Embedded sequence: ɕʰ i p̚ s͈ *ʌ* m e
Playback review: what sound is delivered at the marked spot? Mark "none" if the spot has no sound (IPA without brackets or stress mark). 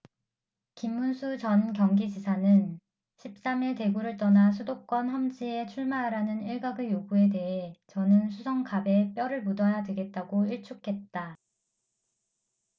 a